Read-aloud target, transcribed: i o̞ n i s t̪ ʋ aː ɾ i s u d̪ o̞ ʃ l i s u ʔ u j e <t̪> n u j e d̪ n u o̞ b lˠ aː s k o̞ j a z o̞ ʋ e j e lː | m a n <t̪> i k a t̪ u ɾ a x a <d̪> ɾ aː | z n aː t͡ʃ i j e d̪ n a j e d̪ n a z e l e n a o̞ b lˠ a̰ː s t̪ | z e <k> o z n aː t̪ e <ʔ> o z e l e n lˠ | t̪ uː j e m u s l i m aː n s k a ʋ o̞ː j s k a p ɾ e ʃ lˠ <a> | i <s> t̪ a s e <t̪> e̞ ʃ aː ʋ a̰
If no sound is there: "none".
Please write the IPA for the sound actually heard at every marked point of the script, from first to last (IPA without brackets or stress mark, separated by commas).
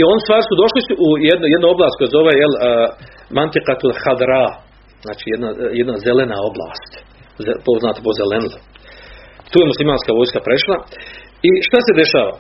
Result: d̪, t̪, d̪, p, p, a, ʃ, d̪